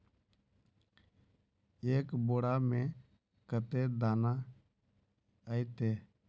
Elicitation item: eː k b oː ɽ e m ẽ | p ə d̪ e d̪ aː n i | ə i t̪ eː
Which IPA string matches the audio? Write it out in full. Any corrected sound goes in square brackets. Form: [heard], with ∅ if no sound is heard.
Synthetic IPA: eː k b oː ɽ [a] m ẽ | [k] ə [t̪] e d̪ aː n [a] | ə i t̪ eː